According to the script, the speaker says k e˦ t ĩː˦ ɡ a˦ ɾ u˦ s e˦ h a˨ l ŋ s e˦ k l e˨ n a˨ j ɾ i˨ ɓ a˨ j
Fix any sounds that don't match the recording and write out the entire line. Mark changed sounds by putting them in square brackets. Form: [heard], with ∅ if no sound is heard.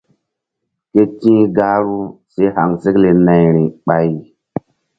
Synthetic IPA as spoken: k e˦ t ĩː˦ ɡ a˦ ɾ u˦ s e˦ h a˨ [∅] ŋ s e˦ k l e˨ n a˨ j ɾ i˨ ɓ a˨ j